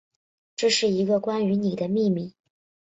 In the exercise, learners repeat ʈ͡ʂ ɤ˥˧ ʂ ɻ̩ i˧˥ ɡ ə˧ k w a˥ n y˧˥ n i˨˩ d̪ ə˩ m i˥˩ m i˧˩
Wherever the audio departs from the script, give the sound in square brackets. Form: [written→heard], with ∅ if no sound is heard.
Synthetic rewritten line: ʈ͡ʂ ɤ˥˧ ʂ ɻ̩ i˧˥ ɡ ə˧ k w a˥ n y˧˥ n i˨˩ d̪ [ə˩→ə˦] m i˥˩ m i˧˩